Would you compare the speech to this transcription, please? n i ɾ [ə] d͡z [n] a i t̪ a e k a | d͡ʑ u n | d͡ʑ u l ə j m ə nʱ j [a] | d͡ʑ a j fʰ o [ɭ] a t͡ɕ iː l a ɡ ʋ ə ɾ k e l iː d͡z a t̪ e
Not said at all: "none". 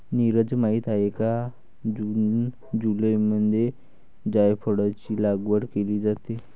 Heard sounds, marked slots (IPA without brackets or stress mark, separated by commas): ə, m, e, ɽ